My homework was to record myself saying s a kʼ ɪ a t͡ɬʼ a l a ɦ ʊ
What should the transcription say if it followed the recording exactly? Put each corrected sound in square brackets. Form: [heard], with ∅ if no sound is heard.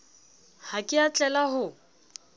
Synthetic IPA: [h] a kʼ ɪ a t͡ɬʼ [ɛ] l a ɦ ʊ